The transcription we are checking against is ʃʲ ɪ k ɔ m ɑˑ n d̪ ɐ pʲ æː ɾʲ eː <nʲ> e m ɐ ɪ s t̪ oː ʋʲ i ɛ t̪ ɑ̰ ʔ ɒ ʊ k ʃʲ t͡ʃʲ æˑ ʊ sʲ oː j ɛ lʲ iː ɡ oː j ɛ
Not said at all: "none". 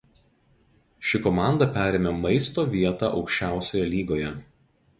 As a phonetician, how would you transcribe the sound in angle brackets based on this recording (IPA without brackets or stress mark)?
mʲ